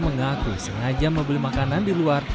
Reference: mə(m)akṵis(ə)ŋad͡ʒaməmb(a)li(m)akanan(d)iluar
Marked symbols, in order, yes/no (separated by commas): no, yes, no, yes, yes